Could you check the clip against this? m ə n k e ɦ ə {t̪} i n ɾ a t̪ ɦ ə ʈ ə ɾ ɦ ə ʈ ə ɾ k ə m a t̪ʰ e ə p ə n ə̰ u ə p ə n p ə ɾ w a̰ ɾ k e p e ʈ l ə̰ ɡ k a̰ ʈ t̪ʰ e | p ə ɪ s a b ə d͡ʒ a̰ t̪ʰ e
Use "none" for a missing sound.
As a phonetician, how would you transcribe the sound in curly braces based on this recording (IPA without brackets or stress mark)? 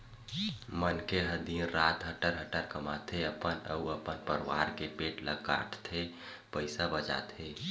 d̪